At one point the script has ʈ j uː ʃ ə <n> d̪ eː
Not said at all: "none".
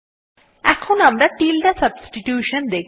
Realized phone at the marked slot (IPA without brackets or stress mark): n